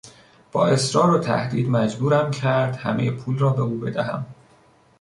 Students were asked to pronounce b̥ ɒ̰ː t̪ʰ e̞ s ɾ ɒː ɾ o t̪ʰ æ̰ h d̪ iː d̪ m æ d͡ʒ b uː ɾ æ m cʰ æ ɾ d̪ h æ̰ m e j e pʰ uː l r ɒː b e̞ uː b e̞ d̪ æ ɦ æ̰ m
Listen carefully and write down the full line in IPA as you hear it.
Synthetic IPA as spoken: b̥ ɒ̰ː e̞ s ɾ ɒː ɾ o t̪ʰ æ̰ h d̪ iː d̪ m æ d͡ʒ b uː ɾ æ m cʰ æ ɾ d̪ h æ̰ m e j e pʰ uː l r ɒː b e̞ uː b e̞ d̪ æ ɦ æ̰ m